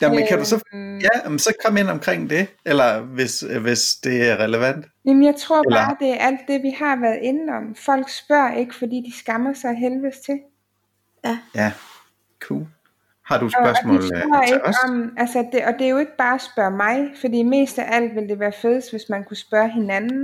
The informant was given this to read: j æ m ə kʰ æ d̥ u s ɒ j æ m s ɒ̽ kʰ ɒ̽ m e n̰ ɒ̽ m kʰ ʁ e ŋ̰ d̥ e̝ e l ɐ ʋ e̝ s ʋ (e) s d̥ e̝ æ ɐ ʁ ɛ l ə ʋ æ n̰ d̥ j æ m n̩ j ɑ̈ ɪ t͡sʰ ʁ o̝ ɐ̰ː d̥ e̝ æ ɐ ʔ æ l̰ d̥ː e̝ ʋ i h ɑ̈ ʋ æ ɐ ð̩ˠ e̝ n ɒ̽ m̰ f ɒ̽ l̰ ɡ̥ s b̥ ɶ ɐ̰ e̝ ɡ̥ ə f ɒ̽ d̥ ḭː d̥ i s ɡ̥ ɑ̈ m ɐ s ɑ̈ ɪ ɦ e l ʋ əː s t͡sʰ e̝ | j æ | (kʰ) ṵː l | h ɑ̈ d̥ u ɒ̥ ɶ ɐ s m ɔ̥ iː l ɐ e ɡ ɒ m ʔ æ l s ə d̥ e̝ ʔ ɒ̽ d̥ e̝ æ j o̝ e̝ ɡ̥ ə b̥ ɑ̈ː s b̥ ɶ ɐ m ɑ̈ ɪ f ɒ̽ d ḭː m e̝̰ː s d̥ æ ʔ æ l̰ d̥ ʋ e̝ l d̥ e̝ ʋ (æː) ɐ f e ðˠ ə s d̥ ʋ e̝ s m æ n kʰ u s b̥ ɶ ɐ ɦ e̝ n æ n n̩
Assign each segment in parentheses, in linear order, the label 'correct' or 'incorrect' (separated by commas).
correct, correct, correct